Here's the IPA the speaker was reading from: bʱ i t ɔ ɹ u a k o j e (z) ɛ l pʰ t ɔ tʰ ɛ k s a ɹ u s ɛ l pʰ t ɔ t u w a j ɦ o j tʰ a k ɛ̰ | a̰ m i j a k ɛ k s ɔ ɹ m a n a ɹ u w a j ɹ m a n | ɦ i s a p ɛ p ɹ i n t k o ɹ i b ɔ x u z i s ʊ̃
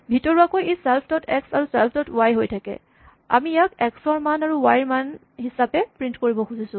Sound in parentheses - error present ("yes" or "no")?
yes